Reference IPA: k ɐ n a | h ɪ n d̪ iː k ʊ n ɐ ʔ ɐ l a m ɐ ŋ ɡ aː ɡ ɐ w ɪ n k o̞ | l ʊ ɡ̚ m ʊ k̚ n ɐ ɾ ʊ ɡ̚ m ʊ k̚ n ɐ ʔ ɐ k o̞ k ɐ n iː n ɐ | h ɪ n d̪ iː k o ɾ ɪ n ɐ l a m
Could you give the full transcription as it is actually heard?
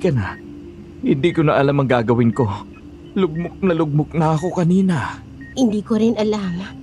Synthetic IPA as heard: k ɐ n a | h ɪ n d̪ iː k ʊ n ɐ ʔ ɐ l a m ɐ ŋ ɡ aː ɡ ɐ w ɪ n k o̞ | l ʊ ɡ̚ m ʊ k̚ n ɐ l ʊ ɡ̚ m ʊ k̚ n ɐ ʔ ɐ k o̞ k ɐ n iː n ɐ | h ɪ n d̪ iː k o ɾ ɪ n ɐ l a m